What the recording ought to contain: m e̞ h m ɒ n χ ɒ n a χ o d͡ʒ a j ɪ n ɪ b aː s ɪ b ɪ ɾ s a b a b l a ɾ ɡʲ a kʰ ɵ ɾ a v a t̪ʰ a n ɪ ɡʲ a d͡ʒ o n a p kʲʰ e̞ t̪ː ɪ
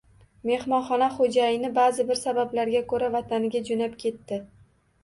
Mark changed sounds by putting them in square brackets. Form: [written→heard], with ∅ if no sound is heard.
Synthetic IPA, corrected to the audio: m e̞ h m ɒ n χ ɒ n a χ o d͡ʒ a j ɪ n ɪ b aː [s→z] ɪ b ɪ ɾ s a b a b l a ɾ ɡʲ a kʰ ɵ ɾ a v a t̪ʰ a n ɪ ɡʲ a d͡ʒ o n a p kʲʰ e̞ t̪ː ɪ